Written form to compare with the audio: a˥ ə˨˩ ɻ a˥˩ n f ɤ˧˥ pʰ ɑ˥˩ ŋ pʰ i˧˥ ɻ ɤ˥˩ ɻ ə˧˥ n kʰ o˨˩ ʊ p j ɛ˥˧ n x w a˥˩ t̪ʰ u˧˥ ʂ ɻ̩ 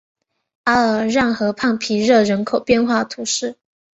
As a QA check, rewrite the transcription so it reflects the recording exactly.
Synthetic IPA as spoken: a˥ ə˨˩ ɻ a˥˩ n x ɤ˧˥ pʰ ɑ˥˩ ŋ pʰ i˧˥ ɻ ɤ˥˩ ɻ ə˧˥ n kʰ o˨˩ ʊ p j ɛ˥˧ n x w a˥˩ t̪ʰ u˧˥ ʂ ɻ̩

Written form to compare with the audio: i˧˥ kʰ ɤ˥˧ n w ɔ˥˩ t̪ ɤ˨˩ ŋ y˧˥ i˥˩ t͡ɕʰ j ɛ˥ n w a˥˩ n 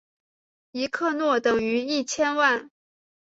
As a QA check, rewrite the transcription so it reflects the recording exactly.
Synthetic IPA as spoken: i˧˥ kʰ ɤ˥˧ n w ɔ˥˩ t̪ ɤ˨˩ ŋ y˧˥ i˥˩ t͡ɕʰ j ɛ˥ n w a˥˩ n

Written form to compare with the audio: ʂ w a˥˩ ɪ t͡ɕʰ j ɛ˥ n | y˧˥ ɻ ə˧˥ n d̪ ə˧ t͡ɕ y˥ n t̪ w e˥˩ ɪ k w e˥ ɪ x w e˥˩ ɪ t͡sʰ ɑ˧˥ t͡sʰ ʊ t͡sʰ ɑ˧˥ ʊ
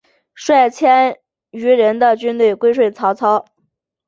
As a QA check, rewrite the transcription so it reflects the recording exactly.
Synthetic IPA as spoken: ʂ w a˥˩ ɪ t͡ɕʰ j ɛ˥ n | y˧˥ ɻ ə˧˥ n d̪ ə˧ t͡ɕ y˥ n t̪ w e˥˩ ɪ k w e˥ ɪ ʂ w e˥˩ ɪ t͡sʰ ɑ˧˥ ʊ t͡sʰ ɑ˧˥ ʊ

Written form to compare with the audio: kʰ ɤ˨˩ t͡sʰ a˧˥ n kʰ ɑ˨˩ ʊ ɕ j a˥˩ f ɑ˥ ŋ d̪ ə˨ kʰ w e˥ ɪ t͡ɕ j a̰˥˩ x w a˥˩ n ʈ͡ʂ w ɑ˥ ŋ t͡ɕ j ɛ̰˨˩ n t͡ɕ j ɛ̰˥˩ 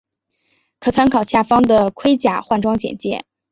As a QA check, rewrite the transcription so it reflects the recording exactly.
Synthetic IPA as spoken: kʰ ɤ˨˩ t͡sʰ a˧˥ n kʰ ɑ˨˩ ʊ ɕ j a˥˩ f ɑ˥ ŋ d̪ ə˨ kʰ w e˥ ɪ t͡ɕ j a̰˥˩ x w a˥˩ n ʈ͡ʂ w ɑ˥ ŋ t͡ɕ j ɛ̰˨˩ n t͡ɕ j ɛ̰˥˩

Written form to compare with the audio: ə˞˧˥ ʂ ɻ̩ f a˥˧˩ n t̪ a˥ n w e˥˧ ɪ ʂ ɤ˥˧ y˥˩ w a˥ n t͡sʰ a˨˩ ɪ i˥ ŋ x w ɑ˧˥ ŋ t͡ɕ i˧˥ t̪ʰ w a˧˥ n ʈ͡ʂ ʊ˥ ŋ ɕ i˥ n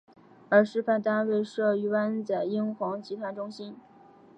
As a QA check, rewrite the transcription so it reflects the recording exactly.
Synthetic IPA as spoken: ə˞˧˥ ʂ ɻ̩ f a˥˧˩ n t̪ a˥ n w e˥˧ ɪ ʂ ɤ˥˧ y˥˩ w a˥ n t͡s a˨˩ ɪ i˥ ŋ x w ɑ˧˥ ŋ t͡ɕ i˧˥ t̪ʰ w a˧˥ n ʈ͡ʂ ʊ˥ ŋ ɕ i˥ n

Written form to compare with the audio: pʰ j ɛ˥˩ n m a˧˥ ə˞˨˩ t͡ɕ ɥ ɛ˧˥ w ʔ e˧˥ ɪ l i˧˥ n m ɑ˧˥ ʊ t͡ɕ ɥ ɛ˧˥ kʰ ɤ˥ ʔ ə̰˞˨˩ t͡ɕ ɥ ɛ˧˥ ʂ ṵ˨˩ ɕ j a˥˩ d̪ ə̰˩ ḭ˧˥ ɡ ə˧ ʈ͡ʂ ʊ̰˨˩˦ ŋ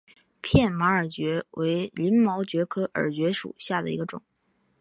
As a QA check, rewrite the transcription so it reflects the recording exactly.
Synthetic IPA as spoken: pʰ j ɛ˥˩ n m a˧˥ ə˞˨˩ t͡ɕ ɥ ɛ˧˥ w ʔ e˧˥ ɪ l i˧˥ n m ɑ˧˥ ʊ t͡ɕ ɥ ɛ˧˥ kʰ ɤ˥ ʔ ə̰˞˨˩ t͡ɕ ɥ ɛ˧˥ ʂ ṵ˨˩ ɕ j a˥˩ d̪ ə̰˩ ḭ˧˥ ɡ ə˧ ʈ͡ʂ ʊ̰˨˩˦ ŋ

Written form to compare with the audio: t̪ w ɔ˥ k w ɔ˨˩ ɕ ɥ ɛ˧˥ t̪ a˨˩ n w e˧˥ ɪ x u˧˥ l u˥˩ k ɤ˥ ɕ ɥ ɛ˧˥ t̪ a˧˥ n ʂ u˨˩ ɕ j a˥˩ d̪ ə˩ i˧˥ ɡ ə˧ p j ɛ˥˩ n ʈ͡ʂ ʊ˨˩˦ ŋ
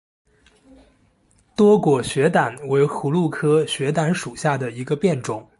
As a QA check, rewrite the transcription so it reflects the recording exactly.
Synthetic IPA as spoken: t̪ w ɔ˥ k w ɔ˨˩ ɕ ɥ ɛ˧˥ t̪ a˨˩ n w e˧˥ ɪ x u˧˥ l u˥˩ kʰ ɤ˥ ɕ ɥ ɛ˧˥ t̪ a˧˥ n ʂ u˨˩ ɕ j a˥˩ d̪ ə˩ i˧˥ ɡ ə˧ p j ɛ˥˩ n ʈ͡ʂ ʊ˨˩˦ ŋ

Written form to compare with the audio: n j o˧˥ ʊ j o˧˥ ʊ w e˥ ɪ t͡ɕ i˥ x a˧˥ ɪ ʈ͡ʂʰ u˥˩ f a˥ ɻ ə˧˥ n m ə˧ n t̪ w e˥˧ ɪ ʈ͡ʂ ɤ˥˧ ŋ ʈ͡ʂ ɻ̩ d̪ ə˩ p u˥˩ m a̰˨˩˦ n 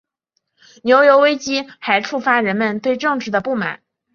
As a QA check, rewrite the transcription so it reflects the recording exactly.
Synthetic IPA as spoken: n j o˧˥ ʊ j o˧˥ ʊ w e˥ ɪ t͡ɕ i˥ x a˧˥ ɪ ʈ͡ʂʰ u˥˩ f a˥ ɻ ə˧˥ n m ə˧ n t̪ w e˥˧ ɪ ʈ͡ʂ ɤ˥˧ ŋ ʈ͡ʂ ɻ̩ d̪ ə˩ p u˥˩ m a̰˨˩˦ n

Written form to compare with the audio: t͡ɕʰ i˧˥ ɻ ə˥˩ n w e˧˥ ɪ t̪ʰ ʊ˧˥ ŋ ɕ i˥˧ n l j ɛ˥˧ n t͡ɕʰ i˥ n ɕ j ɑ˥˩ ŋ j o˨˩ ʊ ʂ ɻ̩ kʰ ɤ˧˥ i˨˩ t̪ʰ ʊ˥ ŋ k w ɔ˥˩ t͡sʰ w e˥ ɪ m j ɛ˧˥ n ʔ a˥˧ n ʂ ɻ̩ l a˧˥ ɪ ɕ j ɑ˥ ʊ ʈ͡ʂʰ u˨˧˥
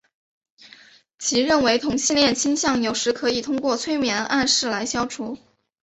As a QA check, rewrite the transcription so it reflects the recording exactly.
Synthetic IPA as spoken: t͡ɕʰ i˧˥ ɻ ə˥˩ n w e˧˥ ɪ t̪ʰ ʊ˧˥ ŋ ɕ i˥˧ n l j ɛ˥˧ n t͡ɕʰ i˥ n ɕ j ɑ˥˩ ŋ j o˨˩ ʊ ʂ ɻ̩ kʰ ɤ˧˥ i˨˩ t̪ʰ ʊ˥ ŋ k w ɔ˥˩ t͡sʰ w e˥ ɪ m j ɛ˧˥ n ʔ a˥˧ n ʂ ɻ̩ l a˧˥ ɪ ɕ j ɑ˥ ʊ ʈ͡ʂʰ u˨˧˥

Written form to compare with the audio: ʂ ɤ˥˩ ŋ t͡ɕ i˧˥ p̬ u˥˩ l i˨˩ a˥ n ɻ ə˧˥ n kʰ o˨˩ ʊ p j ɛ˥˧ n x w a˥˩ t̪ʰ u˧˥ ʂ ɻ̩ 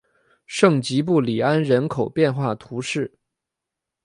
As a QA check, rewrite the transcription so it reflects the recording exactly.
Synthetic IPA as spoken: ʂ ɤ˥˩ ŋ t͡ɕ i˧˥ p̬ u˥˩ l i˨˩ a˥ n ɻ ə˧˥ n kʰ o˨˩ ʊ p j ɛ˥˧ n x w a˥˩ t̪ʰ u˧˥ ʂ ɻ̩

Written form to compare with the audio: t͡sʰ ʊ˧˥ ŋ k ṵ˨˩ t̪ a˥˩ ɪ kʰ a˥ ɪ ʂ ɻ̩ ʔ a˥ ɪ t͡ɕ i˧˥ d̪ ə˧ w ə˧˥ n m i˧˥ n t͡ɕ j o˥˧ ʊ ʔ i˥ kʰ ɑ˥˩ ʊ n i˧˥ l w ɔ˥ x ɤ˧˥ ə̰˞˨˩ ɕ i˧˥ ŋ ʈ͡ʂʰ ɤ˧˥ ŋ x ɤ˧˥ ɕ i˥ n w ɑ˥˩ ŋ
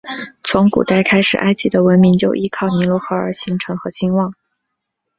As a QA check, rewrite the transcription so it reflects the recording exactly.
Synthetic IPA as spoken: t͡sʰ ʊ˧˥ ŋ k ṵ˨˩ t̪ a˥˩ ɪ kʰ a˥ ɪ ʂ ɻ̩ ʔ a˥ ɪ t͡ɕ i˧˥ d̪ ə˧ w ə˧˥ n m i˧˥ ŋ t͡ɕ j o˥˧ ʊ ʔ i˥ kʰ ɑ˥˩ ʊ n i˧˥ l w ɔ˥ x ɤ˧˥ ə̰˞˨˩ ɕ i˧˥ ŋ ʈ͡ʂʰ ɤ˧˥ ŋ x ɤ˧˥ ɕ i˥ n w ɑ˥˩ ŋ

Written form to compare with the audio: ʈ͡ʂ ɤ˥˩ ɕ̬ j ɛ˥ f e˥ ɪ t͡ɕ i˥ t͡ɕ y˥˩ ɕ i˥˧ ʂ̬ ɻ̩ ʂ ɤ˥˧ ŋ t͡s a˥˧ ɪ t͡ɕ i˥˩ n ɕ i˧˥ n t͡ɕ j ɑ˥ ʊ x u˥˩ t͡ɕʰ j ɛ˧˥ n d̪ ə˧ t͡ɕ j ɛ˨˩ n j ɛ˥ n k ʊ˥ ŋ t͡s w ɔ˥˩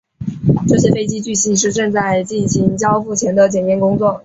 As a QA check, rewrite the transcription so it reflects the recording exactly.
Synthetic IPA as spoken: ʈ͡ʂ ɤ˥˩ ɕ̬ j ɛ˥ f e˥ ɪ t͡ɕ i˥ t͡ɕ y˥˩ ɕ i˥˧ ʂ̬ ɻ̩ ʈ͡ʂ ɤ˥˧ ŋ t͡s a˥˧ ɪ t͡ɕ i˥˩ n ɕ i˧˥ ŋ t͡ɕ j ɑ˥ ʊ f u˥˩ t͡ɕʰ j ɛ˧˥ n d̪ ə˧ t͡ɕ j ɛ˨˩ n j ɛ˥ n k ʊ˥ ŋ t͡s w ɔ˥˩

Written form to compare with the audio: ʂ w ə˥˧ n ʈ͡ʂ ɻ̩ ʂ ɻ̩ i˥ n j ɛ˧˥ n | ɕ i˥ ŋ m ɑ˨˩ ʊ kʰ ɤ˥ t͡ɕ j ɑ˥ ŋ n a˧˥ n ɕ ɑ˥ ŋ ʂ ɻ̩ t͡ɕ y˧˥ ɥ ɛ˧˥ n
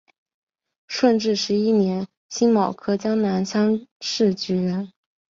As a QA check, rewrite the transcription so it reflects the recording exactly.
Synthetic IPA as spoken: ʂ w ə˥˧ n ʈ͡ʂ ɻ̩ ʂ ɻ̩ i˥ n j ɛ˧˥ n | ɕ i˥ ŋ m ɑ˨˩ ʊ kʰ ɤ˥ t͡ɕ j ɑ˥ ŋ n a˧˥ n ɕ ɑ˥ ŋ ʂ ɻ̩ t͡ɕ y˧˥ ɥ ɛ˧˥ n

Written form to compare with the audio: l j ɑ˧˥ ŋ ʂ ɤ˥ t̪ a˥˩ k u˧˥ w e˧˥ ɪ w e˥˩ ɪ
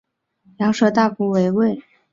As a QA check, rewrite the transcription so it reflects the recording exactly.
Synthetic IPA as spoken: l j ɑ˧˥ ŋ ʂ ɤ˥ t̪ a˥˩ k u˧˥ w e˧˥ ɪ w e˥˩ ɪ

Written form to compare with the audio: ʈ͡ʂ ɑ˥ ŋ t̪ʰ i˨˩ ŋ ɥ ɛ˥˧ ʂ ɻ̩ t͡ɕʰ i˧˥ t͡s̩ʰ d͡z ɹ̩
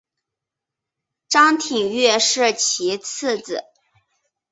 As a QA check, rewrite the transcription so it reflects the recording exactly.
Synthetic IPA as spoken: ʈ͡ʂ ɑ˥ ŋ t̪ʰ i˨˩ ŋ ɥ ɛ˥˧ ʂ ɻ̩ t͡ɕʰ i˧˥ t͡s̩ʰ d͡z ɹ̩

